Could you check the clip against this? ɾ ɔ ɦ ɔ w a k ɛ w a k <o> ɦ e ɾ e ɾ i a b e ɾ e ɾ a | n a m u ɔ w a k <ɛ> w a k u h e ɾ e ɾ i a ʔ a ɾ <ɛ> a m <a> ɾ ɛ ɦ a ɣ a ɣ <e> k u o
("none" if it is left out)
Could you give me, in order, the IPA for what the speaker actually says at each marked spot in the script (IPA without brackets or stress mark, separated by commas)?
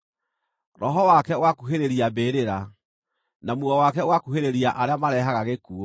u, ɛ, e, a, e